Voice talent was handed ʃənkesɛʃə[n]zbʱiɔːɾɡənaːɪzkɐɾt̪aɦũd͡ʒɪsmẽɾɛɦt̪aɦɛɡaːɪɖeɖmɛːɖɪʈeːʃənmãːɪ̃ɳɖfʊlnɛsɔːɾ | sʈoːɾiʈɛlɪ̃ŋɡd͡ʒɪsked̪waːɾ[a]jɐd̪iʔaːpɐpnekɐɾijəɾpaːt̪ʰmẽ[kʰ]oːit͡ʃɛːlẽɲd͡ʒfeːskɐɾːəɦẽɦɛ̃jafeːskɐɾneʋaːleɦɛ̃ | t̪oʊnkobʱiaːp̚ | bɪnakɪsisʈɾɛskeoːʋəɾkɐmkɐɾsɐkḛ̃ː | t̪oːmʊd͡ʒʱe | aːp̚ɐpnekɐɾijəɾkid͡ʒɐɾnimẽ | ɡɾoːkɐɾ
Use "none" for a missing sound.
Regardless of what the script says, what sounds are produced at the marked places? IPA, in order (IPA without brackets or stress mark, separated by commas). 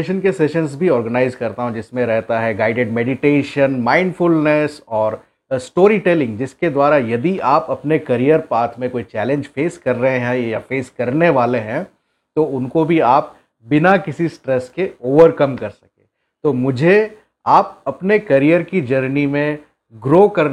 n, a, k